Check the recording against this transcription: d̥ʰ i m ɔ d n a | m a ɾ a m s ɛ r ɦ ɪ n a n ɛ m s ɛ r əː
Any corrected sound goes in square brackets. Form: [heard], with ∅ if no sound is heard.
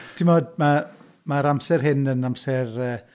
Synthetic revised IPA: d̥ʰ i m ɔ d [m] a | m a ɾ a m s ɛ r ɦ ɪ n [ə] n [a] m s ɛ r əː